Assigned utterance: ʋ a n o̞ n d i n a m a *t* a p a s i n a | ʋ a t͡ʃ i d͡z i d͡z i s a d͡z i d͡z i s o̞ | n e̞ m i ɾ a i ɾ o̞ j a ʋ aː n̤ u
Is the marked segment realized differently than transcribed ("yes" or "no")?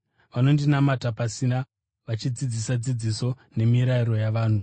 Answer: no